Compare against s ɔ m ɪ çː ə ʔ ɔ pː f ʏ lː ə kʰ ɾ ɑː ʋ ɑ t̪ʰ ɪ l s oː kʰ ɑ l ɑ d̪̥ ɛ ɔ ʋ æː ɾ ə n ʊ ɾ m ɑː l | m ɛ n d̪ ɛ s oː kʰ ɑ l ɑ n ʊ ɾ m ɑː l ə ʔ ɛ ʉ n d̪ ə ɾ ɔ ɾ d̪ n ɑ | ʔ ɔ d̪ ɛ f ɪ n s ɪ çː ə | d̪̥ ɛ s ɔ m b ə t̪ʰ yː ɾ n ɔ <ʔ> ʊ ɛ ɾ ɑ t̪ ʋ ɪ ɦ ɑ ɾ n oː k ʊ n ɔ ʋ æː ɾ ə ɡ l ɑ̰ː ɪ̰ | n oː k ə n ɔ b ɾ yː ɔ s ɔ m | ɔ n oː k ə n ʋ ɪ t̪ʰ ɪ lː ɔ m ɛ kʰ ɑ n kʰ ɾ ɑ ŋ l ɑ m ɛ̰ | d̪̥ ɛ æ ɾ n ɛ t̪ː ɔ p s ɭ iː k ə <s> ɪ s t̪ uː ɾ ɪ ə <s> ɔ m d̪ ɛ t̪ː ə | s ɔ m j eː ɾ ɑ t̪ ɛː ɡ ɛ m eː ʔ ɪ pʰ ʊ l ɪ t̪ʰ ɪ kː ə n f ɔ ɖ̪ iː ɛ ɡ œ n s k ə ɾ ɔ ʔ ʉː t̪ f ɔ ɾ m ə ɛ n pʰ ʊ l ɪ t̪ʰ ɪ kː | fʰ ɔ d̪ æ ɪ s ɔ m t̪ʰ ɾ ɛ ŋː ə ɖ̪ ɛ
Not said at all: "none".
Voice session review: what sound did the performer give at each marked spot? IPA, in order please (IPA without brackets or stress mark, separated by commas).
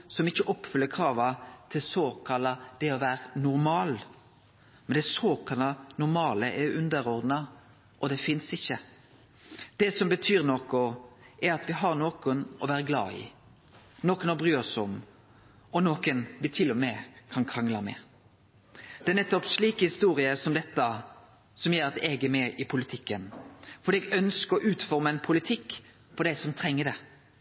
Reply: k, h, s